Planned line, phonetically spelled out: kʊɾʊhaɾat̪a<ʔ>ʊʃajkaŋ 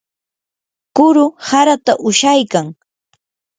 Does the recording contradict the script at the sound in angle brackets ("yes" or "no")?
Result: no